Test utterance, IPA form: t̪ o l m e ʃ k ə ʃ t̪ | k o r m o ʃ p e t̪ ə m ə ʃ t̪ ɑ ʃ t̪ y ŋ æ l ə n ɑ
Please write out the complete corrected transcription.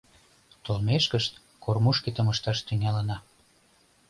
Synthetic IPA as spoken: t̪ o l m e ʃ k ə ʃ t̪ | k o r m u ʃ k e t̪ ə m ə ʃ t̪ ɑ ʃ t̪ y ŋ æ l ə n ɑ